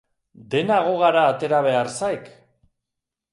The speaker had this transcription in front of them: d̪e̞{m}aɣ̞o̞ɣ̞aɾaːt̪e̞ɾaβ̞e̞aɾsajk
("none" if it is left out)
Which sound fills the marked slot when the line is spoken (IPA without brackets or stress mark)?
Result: n